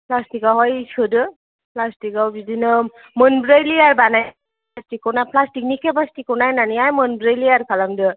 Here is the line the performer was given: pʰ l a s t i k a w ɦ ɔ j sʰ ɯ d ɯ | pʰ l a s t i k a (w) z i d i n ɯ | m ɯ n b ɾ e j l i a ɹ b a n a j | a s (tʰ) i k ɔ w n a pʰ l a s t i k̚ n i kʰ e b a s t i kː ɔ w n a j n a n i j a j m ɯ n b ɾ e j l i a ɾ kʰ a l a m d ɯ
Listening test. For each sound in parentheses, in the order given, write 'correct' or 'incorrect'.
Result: correct, incorrect: t

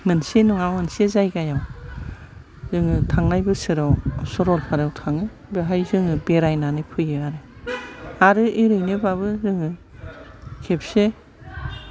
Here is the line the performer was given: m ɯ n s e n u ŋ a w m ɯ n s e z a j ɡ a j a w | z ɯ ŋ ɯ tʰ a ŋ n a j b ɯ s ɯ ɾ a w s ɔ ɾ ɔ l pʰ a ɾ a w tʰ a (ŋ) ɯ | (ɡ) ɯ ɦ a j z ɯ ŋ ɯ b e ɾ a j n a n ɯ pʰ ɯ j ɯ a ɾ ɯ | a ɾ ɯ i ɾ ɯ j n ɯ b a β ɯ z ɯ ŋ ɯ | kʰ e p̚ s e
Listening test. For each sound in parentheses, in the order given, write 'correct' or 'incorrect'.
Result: correct, incorrect: b

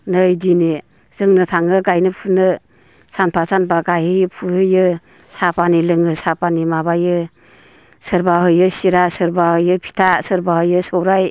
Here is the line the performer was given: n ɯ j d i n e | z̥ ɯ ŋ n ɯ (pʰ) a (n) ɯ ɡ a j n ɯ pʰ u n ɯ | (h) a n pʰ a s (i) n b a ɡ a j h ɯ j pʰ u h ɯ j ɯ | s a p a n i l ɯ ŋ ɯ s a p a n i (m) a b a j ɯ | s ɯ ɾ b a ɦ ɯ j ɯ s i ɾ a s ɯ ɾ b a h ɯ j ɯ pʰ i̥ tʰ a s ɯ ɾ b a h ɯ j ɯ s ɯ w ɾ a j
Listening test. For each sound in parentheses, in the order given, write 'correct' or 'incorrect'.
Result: incorrect: tʰ, incorrect: ŋ, incorrect: s, incorrect: a, correct

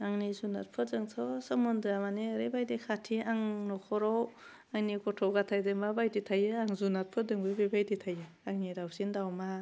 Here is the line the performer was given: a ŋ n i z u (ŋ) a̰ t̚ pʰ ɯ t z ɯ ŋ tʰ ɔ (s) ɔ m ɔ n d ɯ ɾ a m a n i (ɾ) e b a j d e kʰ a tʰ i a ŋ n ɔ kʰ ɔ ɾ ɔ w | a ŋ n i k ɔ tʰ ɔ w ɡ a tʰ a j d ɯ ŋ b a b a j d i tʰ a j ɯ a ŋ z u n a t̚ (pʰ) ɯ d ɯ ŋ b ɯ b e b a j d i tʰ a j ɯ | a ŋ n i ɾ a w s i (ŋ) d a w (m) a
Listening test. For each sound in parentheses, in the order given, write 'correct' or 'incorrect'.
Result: incorrect: n, correct, correct, correct, incorrect: n, correct

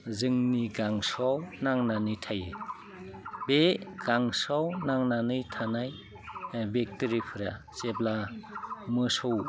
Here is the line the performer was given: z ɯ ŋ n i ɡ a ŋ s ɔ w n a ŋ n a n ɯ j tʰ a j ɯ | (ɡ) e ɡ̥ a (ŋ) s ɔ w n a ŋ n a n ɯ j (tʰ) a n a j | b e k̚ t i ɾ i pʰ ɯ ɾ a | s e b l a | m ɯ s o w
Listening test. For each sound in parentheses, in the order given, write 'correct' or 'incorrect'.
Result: incorrect: b, correct, correct

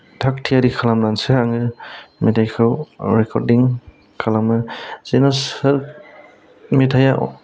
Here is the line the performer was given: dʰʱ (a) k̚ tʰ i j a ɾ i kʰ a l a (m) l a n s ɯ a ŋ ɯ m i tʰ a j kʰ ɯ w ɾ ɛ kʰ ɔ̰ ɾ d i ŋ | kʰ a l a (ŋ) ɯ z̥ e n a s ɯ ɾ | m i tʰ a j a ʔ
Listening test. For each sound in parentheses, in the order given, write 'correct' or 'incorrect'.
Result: correct, correct, incorrect: m

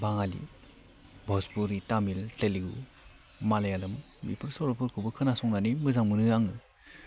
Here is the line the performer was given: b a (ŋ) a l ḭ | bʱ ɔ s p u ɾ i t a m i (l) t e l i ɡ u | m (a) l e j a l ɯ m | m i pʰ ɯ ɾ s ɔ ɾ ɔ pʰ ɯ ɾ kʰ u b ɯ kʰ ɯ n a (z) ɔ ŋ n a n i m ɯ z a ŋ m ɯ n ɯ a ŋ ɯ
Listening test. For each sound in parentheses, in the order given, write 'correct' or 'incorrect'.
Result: correct, correct, correct, incorrect: s

